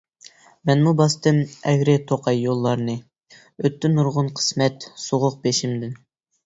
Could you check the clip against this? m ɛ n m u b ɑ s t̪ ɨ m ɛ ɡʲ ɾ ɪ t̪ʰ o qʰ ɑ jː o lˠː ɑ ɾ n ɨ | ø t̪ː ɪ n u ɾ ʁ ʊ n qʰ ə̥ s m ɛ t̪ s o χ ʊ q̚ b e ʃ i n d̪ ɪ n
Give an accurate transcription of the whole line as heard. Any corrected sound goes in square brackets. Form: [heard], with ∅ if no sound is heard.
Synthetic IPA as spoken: m ɛ n m u b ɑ s t̪ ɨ m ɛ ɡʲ ɾ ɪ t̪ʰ o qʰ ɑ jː o lˠː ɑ ɾ n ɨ | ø t̪ː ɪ n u ɾ ʁ ʊ n qʰ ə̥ s m ɛ t̪ s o [ʁ] ʊ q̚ b e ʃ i [m] d̪ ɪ n